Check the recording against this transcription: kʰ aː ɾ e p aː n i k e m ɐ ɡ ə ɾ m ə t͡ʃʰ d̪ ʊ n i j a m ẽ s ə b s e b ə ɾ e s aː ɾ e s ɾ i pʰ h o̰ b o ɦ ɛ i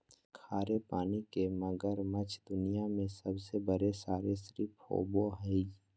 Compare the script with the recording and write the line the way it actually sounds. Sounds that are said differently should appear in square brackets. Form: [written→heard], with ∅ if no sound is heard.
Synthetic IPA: kʰ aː ɾ e p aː n i k e m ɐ ɡ ə ɾ m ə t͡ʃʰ d̪ ʊ n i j a m ẽ s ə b s e b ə ɾ e s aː ɾ e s ɾ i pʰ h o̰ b o ɦ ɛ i